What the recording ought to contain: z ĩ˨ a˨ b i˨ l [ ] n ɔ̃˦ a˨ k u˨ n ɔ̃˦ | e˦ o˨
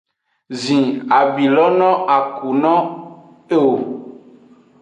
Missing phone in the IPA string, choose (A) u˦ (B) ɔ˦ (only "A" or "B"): B